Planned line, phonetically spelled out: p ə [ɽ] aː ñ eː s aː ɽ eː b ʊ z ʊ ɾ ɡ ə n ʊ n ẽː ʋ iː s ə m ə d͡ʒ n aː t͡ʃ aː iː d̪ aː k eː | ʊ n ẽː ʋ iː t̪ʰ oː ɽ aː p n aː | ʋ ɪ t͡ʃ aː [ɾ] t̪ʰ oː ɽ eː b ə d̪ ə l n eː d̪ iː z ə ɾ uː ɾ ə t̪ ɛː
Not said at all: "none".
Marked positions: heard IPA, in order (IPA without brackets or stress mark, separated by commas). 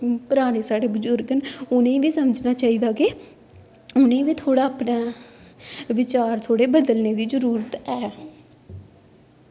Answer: ɾ, ɾ